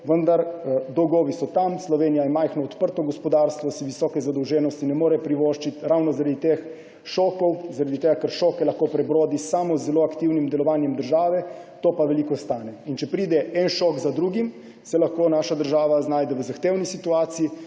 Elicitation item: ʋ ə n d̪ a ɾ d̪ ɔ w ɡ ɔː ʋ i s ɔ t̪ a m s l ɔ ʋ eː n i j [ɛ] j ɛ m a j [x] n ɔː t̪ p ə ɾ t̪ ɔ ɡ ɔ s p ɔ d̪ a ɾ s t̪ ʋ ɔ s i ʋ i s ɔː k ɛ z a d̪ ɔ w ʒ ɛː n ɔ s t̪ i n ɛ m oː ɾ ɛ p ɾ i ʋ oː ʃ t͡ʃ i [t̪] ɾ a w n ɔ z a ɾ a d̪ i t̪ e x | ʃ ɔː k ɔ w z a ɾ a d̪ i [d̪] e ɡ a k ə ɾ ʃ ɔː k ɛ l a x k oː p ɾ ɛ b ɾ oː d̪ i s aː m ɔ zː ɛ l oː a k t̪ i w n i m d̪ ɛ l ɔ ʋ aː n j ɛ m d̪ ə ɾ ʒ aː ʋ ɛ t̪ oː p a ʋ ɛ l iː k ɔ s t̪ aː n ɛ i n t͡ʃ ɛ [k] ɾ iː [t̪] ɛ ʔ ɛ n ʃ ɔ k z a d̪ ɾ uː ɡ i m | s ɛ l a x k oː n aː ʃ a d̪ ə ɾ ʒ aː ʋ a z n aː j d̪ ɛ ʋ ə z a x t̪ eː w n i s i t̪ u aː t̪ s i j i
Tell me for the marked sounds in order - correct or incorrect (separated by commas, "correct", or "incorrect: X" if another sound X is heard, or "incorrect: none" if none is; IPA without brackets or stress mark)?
incorrect: a, correct, correct, incorrect: t̪, incorrect: p, incorrect: d̪